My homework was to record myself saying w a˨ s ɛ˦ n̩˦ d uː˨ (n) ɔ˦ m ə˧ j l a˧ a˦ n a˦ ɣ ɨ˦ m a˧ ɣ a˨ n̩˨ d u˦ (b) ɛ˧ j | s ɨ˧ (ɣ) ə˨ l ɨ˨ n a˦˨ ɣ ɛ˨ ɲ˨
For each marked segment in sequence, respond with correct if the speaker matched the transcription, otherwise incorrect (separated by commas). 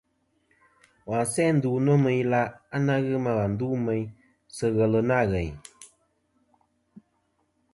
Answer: correct, incorrect, correct